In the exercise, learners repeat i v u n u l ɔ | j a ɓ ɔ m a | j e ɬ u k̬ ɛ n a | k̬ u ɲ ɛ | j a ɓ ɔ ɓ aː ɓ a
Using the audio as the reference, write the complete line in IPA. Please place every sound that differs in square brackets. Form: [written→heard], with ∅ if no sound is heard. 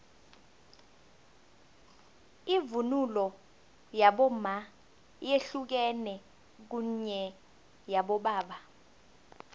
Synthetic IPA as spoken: i v u n u l ɔ | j a ɓ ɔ m a | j e ɬ u k̬ ɛ n [a→ɛ] | k̬ u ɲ ɛ | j a ɓ ɔ ɓ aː ɓ a